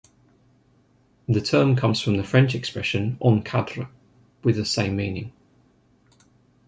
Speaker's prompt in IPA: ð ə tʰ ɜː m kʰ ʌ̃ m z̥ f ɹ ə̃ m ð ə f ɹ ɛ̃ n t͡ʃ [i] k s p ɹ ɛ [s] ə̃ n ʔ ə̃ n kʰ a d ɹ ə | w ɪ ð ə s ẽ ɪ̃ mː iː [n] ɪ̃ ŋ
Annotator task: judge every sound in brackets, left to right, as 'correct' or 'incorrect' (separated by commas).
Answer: incorrect, incorrect, correct